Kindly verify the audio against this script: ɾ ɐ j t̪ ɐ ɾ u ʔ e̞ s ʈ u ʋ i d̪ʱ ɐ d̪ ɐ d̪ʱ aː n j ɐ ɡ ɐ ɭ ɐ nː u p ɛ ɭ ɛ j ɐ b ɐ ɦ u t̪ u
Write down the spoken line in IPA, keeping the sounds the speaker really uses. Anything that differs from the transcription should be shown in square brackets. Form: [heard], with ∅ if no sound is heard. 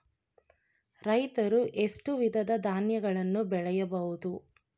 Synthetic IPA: ɾ ɐ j t̪ ɐ ɾ u ʔ e̞ s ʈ u ʋ i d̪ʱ ɐ d̪ ɐ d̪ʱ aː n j ɐ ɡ ɐ ɭ ɐ nː u [b] ɛ ɭ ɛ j ɐ b ɐ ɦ u [d̪] u